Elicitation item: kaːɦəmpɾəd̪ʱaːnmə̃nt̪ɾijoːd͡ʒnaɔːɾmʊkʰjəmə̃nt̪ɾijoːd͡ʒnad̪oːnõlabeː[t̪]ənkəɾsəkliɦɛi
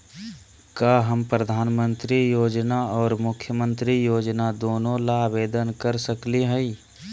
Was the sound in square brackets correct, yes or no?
no